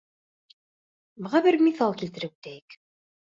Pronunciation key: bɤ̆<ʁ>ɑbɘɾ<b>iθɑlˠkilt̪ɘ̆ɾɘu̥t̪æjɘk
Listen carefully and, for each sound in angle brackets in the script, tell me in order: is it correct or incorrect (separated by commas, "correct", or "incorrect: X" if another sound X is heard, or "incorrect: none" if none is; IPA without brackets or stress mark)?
correct, incorrect: m